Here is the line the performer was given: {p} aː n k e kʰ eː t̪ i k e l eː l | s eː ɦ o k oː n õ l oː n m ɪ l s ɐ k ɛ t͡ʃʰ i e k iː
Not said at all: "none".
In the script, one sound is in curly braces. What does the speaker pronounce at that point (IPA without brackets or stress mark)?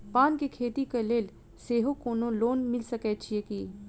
p